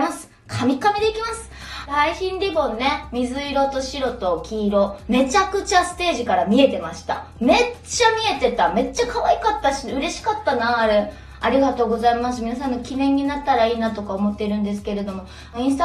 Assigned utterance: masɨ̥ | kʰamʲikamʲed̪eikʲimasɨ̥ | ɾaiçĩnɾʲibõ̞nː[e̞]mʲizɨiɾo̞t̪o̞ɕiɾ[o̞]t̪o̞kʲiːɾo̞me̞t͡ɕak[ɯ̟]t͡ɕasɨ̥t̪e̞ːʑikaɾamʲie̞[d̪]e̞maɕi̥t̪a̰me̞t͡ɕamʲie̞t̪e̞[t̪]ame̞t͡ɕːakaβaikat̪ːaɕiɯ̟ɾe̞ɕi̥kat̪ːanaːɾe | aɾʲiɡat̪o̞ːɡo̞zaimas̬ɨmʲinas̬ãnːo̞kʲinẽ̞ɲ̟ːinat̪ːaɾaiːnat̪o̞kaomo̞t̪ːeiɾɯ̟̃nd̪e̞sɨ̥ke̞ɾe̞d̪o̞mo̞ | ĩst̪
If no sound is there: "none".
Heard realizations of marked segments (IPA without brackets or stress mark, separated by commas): e̞, o̞, ɯ̟, t̪, t̪